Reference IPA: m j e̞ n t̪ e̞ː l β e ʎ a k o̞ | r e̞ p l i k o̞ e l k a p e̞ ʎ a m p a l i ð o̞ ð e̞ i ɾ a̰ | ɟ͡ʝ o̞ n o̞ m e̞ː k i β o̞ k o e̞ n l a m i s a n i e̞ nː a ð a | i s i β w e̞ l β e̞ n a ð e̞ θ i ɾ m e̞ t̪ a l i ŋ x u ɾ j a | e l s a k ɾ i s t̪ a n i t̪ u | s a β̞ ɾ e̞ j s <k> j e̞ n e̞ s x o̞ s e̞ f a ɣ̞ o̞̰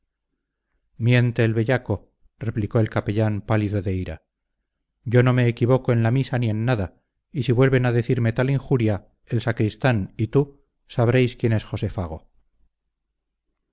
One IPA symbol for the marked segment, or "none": k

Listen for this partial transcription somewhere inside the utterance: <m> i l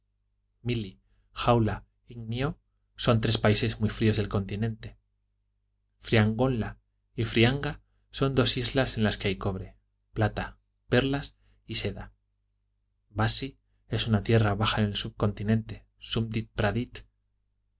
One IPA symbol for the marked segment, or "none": m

